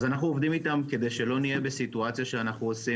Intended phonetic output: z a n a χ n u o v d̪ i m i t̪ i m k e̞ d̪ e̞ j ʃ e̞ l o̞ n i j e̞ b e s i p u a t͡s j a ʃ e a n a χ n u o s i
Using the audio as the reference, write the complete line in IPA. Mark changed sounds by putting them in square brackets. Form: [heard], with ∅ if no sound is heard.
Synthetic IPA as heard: z a n a χ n u o v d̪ i m i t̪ [a] m k e̞ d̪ e̞ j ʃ e̞ l o̞ n i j e̞ b e s i [t] u a t͡s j a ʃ e a n a χ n u o s i